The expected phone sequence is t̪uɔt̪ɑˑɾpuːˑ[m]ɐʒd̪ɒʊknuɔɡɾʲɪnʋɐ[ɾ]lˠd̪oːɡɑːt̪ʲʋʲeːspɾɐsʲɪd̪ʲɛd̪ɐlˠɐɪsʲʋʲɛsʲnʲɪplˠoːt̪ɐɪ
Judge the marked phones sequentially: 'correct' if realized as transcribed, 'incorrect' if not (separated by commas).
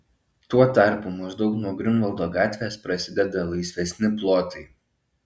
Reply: correct, incorrect